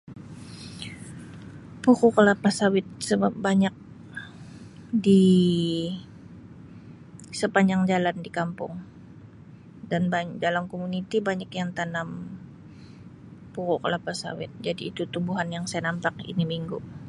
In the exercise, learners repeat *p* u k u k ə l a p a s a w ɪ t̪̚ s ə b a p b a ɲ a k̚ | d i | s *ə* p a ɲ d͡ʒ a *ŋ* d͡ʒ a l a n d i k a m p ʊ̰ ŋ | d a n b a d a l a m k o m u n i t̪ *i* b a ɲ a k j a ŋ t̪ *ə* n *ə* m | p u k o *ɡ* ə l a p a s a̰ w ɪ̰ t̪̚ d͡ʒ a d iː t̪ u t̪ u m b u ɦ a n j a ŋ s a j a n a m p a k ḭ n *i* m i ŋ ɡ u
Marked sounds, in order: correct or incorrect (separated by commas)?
correct, correct, correct, correct, incorrect, incorrect, incorrect, correct